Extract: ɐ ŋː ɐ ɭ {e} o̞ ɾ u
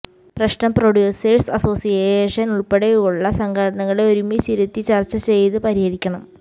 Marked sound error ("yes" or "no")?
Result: no